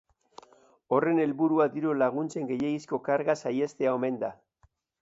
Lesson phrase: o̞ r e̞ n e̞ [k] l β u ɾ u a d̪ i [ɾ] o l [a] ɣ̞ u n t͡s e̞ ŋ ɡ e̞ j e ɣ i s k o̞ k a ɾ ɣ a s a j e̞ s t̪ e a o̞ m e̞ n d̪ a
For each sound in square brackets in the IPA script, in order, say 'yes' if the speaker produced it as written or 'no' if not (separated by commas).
no, yes, yes